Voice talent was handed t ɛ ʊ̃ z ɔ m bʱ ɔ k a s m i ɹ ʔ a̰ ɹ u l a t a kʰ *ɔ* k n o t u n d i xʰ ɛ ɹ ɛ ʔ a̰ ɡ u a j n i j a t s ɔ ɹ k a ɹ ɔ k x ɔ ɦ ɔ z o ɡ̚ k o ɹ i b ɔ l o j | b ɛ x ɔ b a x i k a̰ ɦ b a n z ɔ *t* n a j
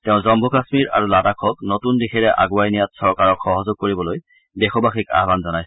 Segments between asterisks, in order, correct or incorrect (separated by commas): correct, incorrect